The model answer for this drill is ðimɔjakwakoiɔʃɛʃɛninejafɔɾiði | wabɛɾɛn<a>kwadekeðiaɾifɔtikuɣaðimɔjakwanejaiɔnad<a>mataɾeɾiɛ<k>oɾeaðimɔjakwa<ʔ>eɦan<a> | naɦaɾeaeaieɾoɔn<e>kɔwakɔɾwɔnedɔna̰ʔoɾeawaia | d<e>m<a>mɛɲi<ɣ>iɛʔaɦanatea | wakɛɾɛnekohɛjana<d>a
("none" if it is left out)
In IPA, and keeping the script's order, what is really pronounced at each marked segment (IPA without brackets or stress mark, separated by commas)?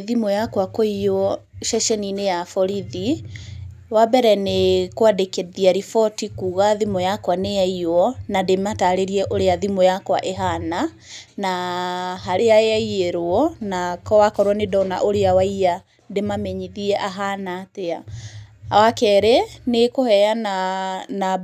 e, e, ʔ, ʔ, a, a, e, a, ð, n